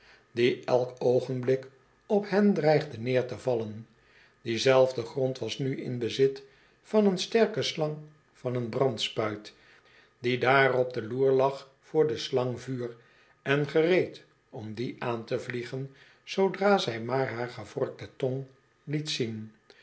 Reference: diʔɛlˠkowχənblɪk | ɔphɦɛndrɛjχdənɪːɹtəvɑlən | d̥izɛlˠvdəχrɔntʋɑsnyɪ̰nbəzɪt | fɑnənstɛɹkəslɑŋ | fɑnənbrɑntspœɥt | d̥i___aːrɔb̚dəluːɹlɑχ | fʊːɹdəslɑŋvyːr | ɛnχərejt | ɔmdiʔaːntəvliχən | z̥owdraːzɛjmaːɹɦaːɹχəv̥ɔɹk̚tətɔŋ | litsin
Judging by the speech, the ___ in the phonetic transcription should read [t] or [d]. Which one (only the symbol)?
d